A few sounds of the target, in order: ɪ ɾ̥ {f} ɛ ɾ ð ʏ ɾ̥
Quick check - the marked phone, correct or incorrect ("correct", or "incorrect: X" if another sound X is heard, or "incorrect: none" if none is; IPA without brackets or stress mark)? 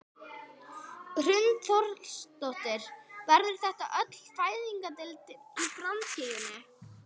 incorrect: v